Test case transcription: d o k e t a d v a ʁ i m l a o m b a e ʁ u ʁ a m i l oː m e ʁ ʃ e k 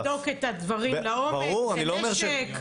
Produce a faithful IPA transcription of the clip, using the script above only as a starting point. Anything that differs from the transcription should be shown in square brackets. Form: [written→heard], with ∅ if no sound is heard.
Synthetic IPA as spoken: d o k e t a d v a ʁ i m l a o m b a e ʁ u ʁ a [m→n] i l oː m e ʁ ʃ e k

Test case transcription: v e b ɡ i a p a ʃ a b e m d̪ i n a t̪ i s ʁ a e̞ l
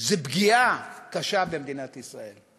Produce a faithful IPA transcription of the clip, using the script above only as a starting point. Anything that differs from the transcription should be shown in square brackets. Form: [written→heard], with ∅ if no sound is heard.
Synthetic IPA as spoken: [v→z] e b ɡ i a [p→k] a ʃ a b e m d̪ i n a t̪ i s ʁ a e̞ l

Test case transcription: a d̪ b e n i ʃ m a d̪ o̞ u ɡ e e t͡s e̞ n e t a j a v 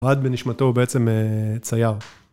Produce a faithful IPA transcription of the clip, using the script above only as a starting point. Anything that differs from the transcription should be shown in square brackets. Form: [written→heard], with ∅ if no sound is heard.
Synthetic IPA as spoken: a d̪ b e n i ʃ m a [d̪→t̪] o̞ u [ɡ→b] e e t͡s e̞ [n→m] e [t→t͡s] a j a [v→ʁ]

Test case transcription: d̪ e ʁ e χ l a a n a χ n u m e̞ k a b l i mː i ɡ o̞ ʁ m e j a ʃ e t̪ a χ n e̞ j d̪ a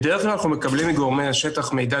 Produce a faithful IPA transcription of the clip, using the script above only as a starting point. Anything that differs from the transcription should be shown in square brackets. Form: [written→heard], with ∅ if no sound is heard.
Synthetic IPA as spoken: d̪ e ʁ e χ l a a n a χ n u m e̞ k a b l i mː i ɡ o̞ ʁ m e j a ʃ e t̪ a χ [n→m] e̞ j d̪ a

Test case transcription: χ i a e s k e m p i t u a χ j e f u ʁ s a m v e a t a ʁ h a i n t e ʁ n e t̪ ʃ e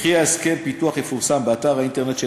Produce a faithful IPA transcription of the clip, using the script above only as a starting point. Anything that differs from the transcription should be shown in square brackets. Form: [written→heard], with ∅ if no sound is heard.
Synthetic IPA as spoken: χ i a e s k e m p i t u a χ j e f u ʁ s a m [v→b] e a t a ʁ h a i n t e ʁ n e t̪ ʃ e

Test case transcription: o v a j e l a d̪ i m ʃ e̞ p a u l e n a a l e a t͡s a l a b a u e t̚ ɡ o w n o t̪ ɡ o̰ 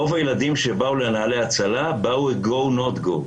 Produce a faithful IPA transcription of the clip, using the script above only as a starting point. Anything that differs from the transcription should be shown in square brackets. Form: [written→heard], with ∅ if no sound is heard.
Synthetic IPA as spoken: o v a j e l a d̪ i m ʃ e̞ [p→b] a u l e n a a l e a t͡s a l a b a u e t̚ ɡ o w n o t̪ ɡ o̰

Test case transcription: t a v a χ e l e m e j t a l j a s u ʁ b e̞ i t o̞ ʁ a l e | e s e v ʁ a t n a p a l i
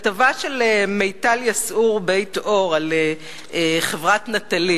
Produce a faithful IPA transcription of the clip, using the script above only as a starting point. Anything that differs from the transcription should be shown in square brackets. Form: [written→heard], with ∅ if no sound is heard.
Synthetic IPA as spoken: t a v a [χ→ʃ] e l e m e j t a l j a s u ʁ b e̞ [i→j] t o̞ ʁ a l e | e [s→χ] e v ʁ a t n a [p→t] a l i

